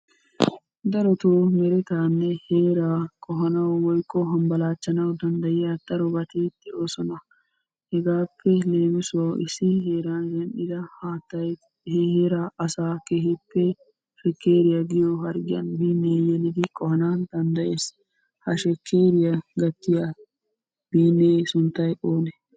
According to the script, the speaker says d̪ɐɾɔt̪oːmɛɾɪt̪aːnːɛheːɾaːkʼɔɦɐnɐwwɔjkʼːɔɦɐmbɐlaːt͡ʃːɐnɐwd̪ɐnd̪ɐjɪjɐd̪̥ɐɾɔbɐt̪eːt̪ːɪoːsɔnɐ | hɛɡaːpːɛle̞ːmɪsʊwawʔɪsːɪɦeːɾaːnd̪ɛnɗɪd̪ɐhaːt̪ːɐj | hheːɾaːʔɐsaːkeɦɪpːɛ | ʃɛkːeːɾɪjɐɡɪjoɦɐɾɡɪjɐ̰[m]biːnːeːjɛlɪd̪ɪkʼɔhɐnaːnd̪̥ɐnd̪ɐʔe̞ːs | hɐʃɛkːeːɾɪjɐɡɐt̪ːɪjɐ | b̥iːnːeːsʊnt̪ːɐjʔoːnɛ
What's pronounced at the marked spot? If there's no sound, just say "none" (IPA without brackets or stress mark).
n